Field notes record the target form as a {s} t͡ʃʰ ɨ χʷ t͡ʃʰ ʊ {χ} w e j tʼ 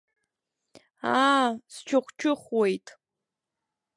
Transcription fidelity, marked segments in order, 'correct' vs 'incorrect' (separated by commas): correct, correct